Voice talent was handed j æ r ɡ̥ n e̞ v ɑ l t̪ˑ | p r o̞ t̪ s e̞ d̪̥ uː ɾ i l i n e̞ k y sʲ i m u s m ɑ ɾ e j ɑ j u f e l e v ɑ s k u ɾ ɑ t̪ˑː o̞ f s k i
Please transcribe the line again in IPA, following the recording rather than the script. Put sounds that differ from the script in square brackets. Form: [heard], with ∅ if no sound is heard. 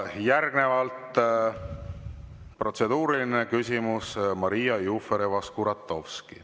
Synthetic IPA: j æ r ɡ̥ n e̞ v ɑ l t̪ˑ | p r o̞ t̪ s e̞ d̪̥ uː ɾ i l i n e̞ k y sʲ i m u s m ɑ ɾ [i] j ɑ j u f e [ɾ] e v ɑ s k u ɾ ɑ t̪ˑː o̞ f s k i